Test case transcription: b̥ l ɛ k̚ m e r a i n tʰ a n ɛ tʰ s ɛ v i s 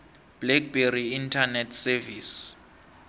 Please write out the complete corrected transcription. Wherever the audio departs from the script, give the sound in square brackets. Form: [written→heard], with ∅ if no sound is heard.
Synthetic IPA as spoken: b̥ l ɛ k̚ [m→b] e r [a→i] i n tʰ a n ɛ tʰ s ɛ v i s